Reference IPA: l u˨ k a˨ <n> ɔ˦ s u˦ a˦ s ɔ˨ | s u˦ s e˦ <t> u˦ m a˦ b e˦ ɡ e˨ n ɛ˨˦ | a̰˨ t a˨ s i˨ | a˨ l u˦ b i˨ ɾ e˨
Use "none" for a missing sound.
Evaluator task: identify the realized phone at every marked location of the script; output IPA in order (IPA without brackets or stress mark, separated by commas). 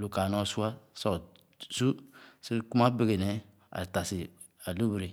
n, k